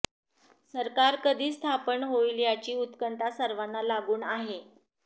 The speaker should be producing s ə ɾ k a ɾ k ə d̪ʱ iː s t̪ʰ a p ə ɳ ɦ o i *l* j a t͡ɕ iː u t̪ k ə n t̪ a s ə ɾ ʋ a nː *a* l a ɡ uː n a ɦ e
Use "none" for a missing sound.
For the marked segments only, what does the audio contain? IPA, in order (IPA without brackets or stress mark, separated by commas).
l, a